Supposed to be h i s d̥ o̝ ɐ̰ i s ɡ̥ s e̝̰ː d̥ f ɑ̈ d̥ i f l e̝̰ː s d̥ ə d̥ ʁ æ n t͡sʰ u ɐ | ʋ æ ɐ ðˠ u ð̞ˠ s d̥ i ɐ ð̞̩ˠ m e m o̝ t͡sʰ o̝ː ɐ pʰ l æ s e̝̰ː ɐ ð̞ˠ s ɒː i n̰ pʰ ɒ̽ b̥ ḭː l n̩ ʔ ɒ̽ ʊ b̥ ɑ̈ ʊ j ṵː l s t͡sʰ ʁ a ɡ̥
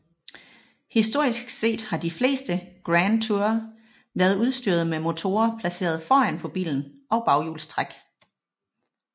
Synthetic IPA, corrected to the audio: h i s d̥ o̝ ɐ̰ i s ɡ̥ s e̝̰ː d̥ h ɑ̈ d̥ i f l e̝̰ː s d̥ ə ɡ̥ ʁ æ n t͡sʰ u ɐ | ʋ æ ɐ ðˠ u ð̞ˠ s d̥ y ɐ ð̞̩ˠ m e m o̝ t͡sʰ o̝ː ɐ pʰ l æ s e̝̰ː ɐ ð̞ˠ f ɒː æ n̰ pʰ ɒ̽ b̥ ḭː l n̩ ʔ ɒ̽ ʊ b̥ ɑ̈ ʊ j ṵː l s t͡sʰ ʁ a ɡ̥